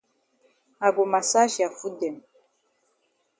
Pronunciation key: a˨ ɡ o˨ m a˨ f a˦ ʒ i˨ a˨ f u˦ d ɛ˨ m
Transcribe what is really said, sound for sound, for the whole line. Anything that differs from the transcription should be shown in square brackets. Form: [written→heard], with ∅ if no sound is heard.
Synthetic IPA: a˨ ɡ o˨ m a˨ [f→s] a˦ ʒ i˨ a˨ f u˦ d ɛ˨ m